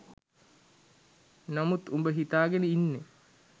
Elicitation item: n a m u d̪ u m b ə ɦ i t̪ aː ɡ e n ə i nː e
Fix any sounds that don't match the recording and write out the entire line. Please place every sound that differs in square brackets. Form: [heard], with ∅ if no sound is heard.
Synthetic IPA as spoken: n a m u [t̪] u m b ə ɦ i t̪ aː ɡ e n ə i nː e